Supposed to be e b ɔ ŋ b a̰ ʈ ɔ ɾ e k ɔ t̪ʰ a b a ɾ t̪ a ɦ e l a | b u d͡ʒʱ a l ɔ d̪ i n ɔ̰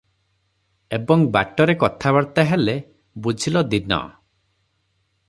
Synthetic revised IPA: e b ɔ ŋ b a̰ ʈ ɔ ɾ e k ɔ t̪ʰ a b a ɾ t̪ a ɦ e l e | b u d͡ʒʱ i l ɔ d̪ i n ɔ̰